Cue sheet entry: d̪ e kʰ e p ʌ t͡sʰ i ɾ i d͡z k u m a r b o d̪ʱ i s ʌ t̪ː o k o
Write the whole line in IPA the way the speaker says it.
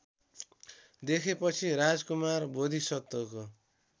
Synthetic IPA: d̪ e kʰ e p ʌ t͡sʰ i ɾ a d͡z k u m a r b o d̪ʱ i s ʌ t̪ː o k o